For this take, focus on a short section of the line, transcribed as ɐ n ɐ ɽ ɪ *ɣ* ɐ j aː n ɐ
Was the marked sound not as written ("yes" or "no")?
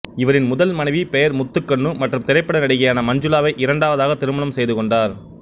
no